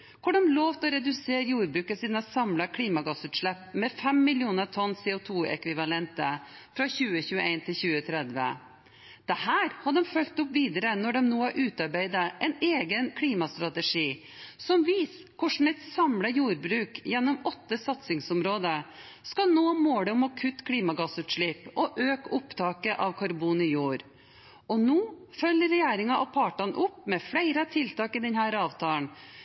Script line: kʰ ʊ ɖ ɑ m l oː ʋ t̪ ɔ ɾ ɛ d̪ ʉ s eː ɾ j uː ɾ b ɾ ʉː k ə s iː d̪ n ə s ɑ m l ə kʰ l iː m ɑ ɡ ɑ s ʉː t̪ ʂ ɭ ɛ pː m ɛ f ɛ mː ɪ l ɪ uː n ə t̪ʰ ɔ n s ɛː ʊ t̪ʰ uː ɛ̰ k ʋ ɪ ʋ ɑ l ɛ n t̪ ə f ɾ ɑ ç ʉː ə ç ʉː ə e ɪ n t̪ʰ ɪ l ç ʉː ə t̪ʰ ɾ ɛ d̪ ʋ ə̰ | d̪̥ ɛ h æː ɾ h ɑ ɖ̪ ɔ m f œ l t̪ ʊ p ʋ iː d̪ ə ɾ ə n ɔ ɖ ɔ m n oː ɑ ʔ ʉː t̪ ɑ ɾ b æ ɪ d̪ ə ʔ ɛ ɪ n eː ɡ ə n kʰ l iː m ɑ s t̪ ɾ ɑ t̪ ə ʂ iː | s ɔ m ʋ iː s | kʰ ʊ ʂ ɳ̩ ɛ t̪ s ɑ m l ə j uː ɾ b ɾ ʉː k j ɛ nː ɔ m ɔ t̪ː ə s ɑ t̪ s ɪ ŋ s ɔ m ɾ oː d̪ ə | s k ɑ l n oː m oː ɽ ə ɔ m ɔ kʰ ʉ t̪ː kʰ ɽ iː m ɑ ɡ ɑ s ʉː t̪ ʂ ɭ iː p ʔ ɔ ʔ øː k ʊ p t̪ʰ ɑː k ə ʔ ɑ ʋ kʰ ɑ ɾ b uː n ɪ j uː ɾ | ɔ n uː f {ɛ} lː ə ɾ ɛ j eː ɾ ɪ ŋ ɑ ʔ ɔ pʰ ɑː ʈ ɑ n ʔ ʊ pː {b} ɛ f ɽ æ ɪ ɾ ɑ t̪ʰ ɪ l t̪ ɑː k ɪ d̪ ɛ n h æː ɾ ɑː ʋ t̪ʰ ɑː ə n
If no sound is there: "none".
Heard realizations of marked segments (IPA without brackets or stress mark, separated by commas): œ, m